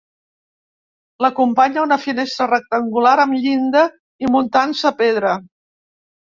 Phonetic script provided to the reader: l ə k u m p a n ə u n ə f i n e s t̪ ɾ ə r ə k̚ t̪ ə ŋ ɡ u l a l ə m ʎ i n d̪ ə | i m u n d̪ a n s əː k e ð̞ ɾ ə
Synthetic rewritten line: l ə k u m p a ɲ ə u n ə f i n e s t̪ ɾ ə r ə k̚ t̪ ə ŋ ɡ u l a ɾ ə m ʎ i n d̪ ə | i m u n t̪ a n s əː p e ð̞ ɾ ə